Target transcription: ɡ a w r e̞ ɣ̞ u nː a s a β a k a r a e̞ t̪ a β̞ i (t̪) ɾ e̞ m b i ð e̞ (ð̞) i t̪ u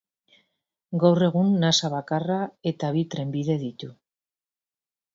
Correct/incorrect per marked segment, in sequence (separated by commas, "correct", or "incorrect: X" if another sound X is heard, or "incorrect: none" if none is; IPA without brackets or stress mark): correct, correct